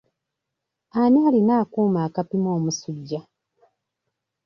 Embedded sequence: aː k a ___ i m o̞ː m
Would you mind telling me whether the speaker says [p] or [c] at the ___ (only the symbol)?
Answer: p